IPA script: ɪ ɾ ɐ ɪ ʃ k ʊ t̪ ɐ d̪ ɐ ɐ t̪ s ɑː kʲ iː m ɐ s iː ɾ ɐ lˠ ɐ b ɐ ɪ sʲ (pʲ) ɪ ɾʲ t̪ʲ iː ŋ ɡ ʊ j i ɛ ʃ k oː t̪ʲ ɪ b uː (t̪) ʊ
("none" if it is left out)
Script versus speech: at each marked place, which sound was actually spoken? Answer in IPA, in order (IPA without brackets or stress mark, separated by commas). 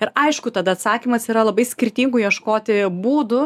kʲ, d̪